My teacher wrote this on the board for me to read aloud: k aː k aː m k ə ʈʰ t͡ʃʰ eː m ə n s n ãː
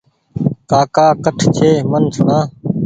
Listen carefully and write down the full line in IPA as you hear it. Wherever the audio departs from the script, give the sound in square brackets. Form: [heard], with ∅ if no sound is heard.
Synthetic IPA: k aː k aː [∅] k ə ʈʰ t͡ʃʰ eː m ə n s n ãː